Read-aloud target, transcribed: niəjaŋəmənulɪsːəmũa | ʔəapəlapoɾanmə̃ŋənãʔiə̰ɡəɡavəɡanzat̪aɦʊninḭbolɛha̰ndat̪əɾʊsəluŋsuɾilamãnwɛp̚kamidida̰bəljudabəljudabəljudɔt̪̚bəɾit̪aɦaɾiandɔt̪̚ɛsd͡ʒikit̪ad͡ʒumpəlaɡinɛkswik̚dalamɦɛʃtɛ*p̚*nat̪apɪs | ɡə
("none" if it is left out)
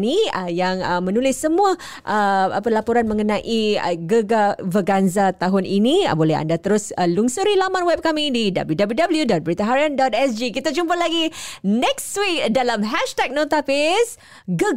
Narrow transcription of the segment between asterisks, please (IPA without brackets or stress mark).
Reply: k̚